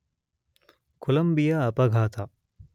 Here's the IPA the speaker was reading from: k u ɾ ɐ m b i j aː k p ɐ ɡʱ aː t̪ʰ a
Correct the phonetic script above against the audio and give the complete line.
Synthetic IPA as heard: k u l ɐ m b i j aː p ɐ ɡʱ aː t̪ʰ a